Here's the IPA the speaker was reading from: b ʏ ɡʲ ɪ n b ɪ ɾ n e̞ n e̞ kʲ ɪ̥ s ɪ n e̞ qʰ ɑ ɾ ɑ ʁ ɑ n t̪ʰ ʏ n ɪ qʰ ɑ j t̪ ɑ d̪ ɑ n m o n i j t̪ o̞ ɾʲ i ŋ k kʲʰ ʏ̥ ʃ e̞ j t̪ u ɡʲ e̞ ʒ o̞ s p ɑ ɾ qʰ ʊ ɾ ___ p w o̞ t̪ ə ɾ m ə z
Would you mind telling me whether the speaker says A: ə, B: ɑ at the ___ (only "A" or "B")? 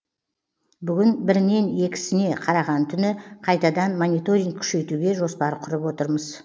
A